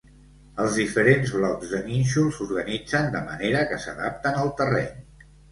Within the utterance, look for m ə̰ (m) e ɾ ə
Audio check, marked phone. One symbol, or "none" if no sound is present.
n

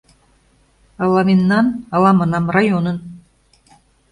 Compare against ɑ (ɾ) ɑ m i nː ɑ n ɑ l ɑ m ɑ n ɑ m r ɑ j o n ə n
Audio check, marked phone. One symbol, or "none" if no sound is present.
l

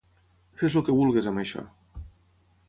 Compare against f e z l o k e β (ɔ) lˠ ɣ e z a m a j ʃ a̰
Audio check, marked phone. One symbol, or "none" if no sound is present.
u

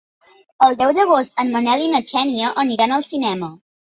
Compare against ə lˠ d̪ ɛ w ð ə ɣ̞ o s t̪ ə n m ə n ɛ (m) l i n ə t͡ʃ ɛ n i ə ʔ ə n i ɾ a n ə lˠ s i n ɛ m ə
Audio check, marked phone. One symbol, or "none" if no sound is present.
none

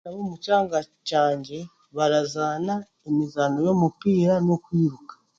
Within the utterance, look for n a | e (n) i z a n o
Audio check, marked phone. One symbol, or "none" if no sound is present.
m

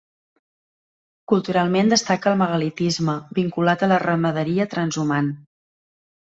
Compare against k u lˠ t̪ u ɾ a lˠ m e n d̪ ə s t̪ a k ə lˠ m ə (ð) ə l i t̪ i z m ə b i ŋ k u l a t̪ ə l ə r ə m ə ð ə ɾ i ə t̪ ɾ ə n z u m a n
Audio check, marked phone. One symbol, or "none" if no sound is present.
ɣ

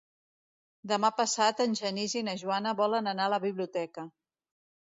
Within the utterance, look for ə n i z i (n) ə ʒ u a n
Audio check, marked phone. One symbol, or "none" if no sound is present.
n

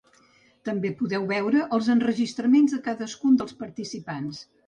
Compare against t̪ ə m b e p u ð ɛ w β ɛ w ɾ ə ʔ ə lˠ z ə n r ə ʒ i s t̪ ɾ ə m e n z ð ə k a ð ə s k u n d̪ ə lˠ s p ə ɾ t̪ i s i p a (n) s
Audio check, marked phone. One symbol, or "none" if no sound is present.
n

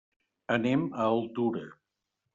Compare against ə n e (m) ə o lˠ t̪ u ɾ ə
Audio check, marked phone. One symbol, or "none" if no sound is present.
m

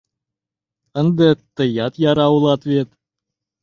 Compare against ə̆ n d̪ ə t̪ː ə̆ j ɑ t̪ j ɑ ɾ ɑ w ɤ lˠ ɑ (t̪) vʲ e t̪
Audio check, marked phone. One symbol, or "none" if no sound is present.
t̪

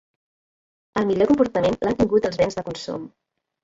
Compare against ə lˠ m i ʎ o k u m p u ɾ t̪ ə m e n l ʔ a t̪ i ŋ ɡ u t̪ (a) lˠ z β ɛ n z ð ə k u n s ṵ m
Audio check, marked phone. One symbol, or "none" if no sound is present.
ə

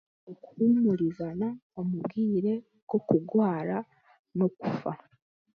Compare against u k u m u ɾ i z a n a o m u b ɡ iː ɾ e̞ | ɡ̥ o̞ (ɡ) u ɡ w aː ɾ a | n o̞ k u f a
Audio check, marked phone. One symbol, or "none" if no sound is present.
k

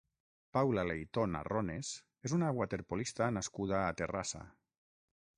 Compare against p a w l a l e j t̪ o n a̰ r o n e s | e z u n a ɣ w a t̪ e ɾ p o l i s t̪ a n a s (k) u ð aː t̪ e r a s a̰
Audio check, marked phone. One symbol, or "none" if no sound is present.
k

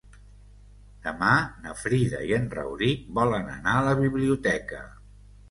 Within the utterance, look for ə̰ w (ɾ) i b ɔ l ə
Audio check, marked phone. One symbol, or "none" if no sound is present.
ɾ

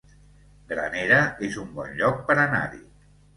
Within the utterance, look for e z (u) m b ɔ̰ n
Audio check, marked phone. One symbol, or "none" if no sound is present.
u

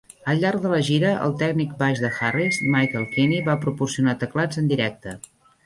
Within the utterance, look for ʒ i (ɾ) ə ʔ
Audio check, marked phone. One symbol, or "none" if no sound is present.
ɾ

